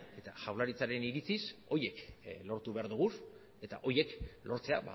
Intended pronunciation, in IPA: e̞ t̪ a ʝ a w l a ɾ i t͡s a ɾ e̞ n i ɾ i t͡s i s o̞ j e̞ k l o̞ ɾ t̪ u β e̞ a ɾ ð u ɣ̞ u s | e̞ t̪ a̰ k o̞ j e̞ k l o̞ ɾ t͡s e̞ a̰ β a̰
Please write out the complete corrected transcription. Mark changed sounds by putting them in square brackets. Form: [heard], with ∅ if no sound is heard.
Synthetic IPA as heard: e̞ t̪ a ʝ a w l a ɾ i t͡s a ɾ e̞ n i ɾ i t͡s i s o̞ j e̞ k l o̞ ɾ t̪ u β e̞ a ɾ ð u ɣ̞ u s | e̞ t̪ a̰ [ʔ] o̞ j e̞ k l o̞ ɾ t͡s e̞ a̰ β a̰